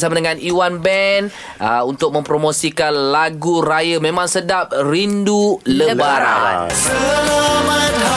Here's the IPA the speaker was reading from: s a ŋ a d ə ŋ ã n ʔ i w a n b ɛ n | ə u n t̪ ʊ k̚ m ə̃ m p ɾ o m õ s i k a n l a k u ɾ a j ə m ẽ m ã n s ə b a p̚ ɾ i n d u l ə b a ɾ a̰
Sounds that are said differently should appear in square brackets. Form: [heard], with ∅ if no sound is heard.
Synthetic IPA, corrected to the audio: s a [m] a d ə ŋ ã n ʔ i w a n b ɛ n | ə u n t̪ ʊ k̚ m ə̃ m p ɾ o m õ s i k a n l a [ɡ] u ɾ a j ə m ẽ m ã [ŋ] s ə [d] a p̚ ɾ i n d u l ə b a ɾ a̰